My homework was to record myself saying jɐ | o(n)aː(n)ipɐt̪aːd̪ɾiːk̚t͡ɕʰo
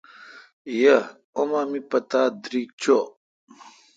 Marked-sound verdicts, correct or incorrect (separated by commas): incorrect, incorrect